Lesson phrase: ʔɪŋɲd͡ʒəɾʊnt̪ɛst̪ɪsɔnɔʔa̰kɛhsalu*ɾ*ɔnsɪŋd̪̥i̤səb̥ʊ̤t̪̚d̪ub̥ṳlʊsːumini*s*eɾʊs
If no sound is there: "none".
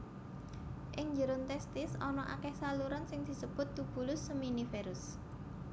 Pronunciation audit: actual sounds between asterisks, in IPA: ɾ, f

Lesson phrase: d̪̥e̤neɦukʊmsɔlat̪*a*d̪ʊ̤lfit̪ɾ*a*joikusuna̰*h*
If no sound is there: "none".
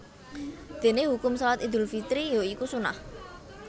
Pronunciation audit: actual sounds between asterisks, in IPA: i, i, h

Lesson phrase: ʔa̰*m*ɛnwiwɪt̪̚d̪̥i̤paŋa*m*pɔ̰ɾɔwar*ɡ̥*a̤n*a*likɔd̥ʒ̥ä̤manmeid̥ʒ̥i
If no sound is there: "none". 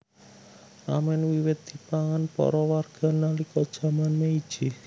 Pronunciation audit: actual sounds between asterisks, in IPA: m, n, ɡ̥, a

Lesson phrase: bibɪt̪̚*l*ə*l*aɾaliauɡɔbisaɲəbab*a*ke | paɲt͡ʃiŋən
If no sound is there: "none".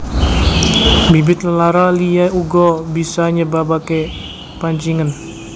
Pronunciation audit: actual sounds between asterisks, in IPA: l, l, a

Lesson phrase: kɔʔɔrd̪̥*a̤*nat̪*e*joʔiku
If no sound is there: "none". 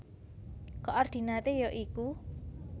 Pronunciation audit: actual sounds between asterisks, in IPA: i̤, e

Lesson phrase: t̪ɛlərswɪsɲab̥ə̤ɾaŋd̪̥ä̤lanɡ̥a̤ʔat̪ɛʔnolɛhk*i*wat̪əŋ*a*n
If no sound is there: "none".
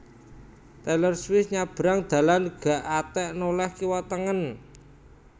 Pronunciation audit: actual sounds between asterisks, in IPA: i, ə

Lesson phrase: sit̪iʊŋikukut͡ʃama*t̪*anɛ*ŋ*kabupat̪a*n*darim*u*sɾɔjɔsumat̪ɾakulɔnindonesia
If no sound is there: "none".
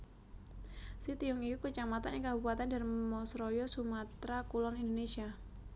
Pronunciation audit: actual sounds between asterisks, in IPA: t̪, ŋ, n, ɔ

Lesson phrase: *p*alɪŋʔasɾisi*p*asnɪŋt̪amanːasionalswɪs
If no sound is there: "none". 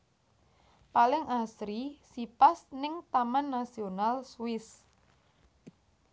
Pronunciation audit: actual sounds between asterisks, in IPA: p, p

